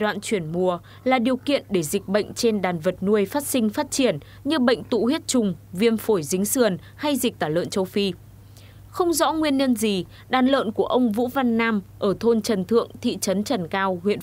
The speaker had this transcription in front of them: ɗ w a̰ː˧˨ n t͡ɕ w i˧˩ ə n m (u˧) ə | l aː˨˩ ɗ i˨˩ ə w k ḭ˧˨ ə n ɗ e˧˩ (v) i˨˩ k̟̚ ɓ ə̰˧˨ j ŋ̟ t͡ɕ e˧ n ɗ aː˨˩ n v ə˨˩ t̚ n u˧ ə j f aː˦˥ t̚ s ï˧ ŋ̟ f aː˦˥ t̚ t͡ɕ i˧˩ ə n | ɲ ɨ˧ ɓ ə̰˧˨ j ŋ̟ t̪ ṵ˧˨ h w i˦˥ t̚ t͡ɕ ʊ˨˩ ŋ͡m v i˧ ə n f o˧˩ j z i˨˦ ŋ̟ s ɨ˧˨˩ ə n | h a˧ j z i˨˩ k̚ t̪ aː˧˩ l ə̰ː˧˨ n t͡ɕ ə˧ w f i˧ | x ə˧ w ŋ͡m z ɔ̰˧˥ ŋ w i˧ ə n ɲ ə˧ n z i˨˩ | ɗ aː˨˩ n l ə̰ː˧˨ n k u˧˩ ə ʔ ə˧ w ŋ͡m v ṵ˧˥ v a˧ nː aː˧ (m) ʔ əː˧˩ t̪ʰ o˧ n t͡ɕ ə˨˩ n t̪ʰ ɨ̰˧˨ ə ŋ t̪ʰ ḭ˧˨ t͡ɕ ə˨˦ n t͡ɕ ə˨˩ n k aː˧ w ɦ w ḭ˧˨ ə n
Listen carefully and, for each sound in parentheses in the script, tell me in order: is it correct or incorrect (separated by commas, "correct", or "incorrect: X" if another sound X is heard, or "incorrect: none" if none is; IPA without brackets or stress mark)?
incorrect: u˨˩, incorrect: z, correct